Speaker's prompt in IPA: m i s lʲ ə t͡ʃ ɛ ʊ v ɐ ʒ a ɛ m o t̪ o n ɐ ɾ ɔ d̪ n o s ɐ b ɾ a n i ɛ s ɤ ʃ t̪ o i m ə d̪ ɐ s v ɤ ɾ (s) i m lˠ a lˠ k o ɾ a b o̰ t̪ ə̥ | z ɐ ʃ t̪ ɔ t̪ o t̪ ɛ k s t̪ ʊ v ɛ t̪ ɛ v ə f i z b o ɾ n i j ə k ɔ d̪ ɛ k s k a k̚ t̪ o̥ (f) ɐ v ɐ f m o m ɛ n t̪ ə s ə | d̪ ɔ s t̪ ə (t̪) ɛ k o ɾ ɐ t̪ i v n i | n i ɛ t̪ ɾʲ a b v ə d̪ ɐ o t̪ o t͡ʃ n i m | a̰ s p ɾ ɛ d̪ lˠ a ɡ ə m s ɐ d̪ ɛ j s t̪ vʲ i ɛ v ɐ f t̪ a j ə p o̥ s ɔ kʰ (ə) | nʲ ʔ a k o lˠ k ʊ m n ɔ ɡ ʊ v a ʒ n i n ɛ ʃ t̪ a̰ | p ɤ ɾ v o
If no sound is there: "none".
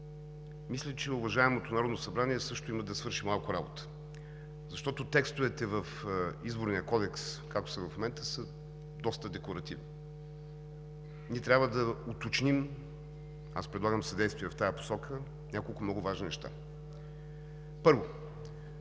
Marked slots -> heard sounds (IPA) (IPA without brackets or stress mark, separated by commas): ʃ, s, d̪, ə